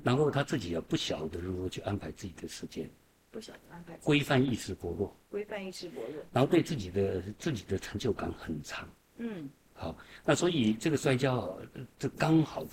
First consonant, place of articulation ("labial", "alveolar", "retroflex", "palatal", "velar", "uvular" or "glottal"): alveolar